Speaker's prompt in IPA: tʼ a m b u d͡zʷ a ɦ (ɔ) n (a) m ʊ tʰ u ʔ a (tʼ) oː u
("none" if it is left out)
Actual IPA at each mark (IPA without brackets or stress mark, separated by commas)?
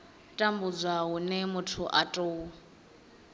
u, ɛ, tʼ